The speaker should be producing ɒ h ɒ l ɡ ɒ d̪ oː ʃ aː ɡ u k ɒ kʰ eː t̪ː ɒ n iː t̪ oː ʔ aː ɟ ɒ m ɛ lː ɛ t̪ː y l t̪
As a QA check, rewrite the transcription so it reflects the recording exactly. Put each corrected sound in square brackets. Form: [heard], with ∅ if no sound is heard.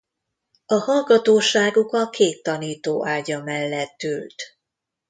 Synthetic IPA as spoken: ɒ h ɒ l ɡ ɒ [t̪] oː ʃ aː ɡ u k ɒ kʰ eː t̪ː ɒ n iː t̪ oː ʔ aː ɟ ɒ m ɛ lː ɛ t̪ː y l t̪